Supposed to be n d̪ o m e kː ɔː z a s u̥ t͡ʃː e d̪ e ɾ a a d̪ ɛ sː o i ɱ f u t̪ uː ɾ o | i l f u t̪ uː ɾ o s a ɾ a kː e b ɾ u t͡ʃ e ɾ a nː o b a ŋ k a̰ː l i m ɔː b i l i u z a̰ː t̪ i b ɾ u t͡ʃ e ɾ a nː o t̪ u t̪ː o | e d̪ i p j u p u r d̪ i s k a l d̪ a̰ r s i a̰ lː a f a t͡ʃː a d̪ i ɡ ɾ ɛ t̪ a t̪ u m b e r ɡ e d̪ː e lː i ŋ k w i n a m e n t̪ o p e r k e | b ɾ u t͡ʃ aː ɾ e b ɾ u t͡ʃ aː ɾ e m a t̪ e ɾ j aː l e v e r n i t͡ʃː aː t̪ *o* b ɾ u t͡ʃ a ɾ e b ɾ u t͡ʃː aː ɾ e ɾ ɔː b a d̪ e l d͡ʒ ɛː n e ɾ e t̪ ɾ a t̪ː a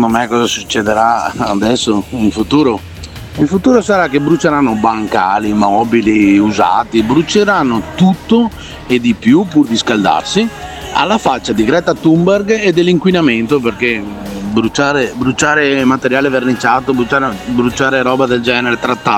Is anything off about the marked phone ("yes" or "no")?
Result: no